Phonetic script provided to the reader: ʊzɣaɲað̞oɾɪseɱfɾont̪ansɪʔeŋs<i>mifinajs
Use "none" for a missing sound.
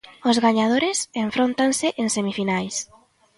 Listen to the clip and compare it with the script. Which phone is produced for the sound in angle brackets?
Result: e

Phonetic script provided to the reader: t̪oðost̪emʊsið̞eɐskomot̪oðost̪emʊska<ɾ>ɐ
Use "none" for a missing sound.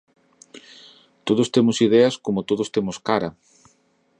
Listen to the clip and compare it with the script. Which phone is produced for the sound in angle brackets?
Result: ɾ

